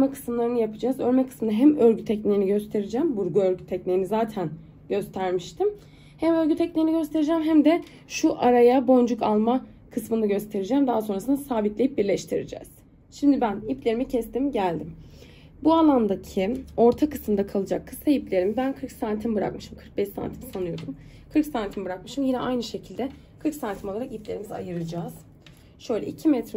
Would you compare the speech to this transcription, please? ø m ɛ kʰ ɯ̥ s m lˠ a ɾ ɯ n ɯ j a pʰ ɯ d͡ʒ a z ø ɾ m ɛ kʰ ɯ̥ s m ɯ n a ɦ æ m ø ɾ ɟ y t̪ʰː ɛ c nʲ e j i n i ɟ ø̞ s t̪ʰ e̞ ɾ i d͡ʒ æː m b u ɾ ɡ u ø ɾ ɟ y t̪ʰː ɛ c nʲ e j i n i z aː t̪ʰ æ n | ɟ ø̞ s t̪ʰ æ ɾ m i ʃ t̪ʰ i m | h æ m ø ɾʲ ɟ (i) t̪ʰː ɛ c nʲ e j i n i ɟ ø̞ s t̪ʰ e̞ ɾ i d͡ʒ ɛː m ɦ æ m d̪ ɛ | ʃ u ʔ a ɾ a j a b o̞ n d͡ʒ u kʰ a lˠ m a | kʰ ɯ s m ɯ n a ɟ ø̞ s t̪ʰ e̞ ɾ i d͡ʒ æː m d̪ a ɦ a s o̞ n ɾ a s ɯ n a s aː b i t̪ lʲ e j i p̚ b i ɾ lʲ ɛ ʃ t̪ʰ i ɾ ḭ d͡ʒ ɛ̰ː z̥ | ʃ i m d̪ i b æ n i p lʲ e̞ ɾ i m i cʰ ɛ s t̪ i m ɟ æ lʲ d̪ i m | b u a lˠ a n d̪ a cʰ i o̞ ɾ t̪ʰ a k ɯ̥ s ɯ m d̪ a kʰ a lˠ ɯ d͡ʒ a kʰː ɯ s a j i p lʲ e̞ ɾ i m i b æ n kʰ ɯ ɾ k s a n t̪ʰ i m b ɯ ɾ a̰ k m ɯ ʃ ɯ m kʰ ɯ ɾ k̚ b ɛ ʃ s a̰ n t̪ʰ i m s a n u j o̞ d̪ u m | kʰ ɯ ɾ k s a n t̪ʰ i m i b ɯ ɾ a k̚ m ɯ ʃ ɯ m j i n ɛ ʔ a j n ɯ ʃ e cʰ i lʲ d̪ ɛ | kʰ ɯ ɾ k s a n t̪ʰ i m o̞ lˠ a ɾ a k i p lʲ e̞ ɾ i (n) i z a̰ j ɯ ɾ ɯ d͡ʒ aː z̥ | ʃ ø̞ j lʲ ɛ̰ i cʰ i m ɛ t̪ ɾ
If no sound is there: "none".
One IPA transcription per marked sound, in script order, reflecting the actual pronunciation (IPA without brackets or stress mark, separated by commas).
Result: y, m